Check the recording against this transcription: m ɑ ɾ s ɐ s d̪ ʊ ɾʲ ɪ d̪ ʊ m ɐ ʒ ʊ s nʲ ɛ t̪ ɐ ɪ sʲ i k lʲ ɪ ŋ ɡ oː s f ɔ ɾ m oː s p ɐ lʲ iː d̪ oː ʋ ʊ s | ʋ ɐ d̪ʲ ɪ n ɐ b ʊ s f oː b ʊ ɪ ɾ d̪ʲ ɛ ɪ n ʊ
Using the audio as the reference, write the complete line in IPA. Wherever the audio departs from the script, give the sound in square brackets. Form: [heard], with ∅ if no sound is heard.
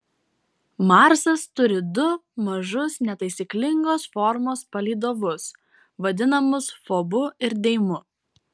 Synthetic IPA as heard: m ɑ ɾ s ɐ s [t̪] ʊ ɾʲ ɪ d̪ ʊ m ɐ ʒ ʊ s nʲ ɛ t̪ ɐ ɪ sʲ i k lʲ ɪ ŋ ɡ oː s f ɔ ɾ m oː s p ɐ lʲ iː d̪ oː ʋ ʊ s | ʋ ɐ d̪ʲ ɪ n ɐ [m] ʊ s f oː b ʊ ɪ ɾ d̪ʲ ɛ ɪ [m] ʊ

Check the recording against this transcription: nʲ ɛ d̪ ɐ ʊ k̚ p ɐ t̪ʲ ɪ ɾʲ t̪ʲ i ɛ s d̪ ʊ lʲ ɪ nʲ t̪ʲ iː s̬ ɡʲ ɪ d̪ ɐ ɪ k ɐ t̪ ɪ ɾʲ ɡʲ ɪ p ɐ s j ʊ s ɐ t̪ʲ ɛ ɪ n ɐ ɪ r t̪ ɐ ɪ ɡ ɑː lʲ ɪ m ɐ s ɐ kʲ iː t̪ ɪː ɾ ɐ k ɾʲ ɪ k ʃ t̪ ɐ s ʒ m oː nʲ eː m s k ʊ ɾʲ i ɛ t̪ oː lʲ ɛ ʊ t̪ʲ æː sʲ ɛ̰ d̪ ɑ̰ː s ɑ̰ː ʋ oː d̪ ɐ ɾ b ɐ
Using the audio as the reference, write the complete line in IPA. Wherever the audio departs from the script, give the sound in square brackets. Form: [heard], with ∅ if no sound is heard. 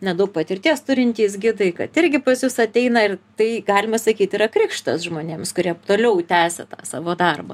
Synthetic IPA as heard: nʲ ɛ d̪ ɐ ʊ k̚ p ɐ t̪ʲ ɪ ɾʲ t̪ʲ i ɛ s [t̪] ʊ [ɾʲ] ɪ nʲ t̪ʲ iː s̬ ɡʲ ɪ d̪ ɐ ɪ k ɐ t̪ ɪ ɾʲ ɡʲ ɪ p ɐ s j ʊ s ɐ t̪ʲ ɛ ɪ n ɐ ɪ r t̪ ɐ ɪ ɡ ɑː lʲ ɪ m ɐ s ɐ kʲ iː t̪ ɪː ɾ ɐ k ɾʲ ɪ k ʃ t̪ ɐ s ʒ m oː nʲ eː m s k ʊ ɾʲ i ɛ t̪ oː lʲ ɛ ʊ t̪ʲ æː sʲ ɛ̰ [t̪] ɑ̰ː s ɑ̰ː ʋ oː d̪ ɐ [r] b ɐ

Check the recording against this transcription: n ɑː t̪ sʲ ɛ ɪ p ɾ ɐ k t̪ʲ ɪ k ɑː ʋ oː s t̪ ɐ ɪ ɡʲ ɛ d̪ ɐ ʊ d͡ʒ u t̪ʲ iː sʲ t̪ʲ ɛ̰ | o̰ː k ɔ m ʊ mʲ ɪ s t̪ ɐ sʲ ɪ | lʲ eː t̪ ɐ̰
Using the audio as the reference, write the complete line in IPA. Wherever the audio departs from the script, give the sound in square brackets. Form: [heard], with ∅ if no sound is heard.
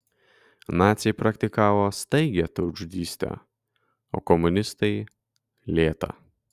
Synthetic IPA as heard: n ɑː t̪ sʲ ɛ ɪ p ɾ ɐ k t̪ʲ ɪ k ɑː ʋ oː s t̪ ɐ ɪ ɡʲ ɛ [t̪] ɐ ʊ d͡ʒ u [d̪ʲ] iː sʲ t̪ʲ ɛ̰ | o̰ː k ɔ m ʊ [nʲ] ɪ s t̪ ɐ [∅] ɪ | lʲ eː t̪ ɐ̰

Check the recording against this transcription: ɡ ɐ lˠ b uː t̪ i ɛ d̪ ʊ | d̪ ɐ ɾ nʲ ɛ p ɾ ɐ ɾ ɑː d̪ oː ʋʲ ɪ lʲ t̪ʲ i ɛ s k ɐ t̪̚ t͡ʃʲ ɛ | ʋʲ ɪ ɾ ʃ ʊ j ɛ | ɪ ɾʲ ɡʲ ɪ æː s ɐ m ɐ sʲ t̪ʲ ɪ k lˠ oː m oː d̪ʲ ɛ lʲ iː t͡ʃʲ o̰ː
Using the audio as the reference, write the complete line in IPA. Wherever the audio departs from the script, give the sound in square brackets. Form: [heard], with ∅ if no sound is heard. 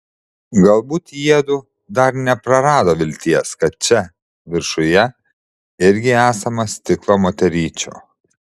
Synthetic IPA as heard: ɡ ɐ lˠ b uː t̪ i ɛ d̪ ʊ | d̪ ɐ ɾ nʲ ɛ p ɾ ɐ ɾ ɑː d̪ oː ʋʲ ɪ lʲ t̪ʲ i ɛ s k ɐ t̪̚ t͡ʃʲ ɛ | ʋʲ ɪ ɾ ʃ ʊ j ɛ | ɪ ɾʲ ɡʲ ɪ æː s ɐ m ɐ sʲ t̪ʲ ɪ k lˠ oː m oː [t̪ʲ] ɛ [ɾʲ] iː t͡ʃʲ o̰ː

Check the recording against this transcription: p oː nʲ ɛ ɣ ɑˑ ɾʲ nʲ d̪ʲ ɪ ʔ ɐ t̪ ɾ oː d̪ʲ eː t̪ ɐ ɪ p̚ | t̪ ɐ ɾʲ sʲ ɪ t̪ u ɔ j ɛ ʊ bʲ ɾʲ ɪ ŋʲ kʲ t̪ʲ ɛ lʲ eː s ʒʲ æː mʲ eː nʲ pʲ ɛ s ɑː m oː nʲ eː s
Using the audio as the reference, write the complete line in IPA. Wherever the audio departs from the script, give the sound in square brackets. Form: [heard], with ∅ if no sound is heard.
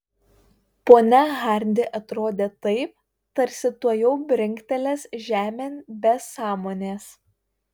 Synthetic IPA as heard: p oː nʲ ɛ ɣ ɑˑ ɾʲ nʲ d̪ʲ ɪ ʔ ɐ t̪ ɾ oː d̪ʲ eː t̪ ɐ ɪ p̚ | t̪ ɐ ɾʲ sʲ ɪ t̪ u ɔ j ɛ ʊ bʲ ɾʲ ɪ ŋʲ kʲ t̪ʲ ɛ lʲ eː s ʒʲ æː mʲ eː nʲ [bʲ] ɛ s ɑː m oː nʲ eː s

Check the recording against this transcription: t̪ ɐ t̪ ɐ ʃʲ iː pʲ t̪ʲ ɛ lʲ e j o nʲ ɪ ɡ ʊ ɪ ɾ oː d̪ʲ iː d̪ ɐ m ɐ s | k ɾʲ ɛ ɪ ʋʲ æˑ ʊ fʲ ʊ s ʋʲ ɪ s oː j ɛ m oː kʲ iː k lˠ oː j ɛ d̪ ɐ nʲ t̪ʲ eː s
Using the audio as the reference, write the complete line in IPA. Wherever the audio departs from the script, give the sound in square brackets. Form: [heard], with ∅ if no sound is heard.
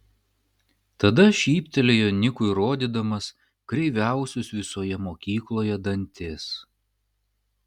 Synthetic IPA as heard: t̪ ɐ [d̪] ɐ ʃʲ iː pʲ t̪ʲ ɛ lʲ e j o nʲ ɪ [k] ʊ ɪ ɾ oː d̪ʲ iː d̪ ɐ m ɐ s | k ɾʲ ɛ ɪ ʋʲ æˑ ʊ [sʲ] ʊ s ʋʲ ɪ s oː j ɛ m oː kʲ iː k lˠ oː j ɛ d̪ ɐ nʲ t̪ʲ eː s

